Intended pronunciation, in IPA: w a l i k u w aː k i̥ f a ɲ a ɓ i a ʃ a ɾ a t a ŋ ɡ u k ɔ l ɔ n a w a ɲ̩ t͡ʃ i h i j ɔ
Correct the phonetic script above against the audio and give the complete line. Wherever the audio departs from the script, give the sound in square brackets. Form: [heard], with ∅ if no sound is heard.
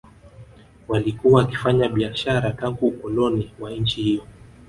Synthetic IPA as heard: w a l i k u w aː k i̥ f a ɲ a ɓ i a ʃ a ɾ a t a ŋ ɡ u k ɔ l ɔ n [i] w a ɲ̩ t͡ʃ i h i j ɔ